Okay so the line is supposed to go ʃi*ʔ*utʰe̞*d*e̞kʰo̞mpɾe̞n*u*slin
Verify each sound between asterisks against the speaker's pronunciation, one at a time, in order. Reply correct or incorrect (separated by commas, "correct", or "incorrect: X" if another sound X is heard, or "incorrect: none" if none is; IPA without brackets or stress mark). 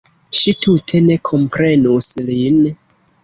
incorrect: t, incorrect: n, correct